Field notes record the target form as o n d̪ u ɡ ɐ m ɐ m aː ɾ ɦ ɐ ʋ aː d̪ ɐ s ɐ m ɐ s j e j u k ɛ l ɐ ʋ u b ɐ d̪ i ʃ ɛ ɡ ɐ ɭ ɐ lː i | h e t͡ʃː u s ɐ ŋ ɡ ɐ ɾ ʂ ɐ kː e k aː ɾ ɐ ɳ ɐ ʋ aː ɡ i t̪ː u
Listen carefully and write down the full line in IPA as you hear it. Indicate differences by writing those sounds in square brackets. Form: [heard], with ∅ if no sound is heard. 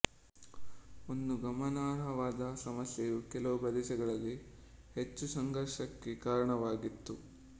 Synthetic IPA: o n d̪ u ɡ ɐ m ɐ [n] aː ɾ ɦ ɐ ʋ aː d̪ ɐ s ɐ m ɐ s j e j u k ɛ l ɐ ʋ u b ɐ d̪ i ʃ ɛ ɡ ɐ ɭ ɐ lː i | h e t͡ʃː u s ɐ ŋ ɡ ɐ ɾ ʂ ɐ kː e k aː ɾ ɐ ɳ ɐ ʋ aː ɡ i t̪ː u